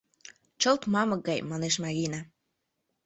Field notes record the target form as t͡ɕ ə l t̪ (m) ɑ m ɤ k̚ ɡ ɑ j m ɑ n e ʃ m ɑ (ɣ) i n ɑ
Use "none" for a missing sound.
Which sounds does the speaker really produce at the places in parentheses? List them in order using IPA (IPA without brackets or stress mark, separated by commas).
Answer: m, ɣ